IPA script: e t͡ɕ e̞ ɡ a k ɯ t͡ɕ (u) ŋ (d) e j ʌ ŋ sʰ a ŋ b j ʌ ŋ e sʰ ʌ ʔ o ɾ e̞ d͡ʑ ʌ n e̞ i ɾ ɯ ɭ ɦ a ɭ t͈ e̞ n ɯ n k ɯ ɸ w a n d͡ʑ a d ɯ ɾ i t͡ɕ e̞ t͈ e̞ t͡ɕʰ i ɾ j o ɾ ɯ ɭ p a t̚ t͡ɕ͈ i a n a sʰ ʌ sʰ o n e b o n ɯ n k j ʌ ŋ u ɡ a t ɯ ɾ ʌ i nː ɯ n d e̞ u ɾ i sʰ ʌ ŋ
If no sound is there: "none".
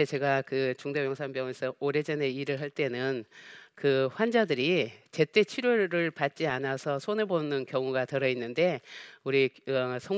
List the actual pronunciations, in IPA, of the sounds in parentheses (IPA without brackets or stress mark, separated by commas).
u, d